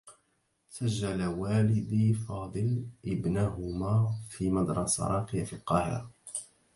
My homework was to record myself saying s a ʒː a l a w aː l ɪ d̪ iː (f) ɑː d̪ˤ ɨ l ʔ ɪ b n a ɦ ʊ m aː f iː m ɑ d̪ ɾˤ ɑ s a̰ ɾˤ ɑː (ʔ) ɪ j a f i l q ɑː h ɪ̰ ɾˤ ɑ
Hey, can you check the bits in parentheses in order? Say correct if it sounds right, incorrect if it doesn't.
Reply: correct, incorrect

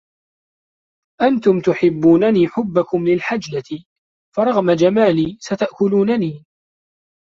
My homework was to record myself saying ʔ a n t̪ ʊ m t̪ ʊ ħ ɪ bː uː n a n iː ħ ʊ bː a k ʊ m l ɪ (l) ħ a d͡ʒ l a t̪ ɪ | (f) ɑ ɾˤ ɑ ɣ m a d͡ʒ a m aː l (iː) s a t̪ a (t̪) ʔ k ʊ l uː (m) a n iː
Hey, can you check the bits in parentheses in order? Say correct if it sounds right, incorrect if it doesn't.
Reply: correct, correct, correct, incorrect, incorrect

